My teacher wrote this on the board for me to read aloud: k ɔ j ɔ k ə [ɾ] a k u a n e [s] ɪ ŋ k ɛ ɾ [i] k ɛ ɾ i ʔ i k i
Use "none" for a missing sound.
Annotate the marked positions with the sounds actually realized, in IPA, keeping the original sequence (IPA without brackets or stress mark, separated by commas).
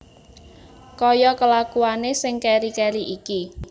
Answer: l, s, i